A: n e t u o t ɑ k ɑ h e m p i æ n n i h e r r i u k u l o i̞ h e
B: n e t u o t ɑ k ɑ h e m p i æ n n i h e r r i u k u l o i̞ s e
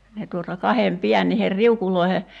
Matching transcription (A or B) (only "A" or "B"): A